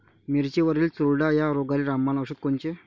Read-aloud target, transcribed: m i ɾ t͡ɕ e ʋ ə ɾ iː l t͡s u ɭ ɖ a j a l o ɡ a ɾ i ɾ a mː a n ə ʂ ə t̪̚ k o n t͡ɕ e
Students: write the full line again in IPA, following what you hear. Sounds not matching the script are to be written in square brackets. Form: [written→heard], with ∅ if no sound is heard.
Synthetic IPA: m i ɾ t͡ɕ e ʋ ə ɾ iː l t͡s u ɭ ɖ a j a [l→ɾ] o ɡ a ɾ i ɾ a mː a n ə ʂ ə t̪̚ k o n t͡ɕ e